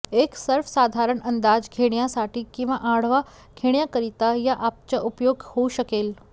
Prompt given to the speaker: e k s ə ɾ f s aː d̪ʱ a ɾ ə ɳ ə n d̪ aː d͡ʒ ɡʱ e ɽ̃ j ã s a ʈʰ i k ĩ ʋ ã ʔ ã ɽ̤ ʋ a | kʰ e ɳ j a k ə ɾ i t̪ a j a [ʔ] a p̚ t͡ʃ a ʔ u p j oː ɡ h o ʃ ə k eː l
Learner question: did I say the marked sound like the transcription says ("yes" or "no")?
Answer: yes